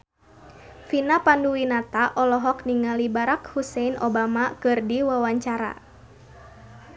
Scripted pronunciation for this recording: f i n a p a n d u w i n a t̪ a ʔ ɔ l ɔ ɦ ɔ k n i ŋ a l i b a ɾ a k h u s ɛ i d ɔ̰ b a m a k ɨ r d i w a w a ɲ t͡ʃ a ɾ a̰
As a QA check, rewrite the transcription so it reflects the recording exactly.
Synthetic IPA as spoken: f i n a p a n d u w i n a t̪ a ʔ ɔ l ɔ ɦ ɔ k n i ŋ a l i b a ɾ a k h u s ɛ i n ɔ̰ b a m a k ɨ r d i w a w a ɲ t͡ʃ a ɾ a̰